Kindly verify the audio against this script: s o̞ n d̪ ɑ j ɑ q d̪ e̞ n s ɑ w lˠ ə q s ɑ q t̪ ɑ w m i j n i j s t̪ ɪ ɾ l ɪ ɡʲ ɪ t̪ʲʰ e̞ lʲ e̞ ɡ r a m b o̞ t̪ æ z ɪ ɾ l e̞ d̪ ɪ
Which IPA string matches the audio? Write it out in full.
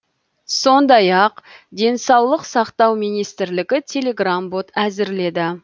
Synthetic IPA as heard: s o̞ n d̪ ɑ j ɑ q d̪ e̞ n s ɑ w lˠ ə q s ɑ q t̪ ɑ w m i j n i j s t̪ ɪ ɾ l ɪ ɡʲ ɪ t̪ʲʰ e̞ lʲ e̞ ɡ r a m b o̞ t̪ æ z ɪ ɾ l e̞ d̪ ɪ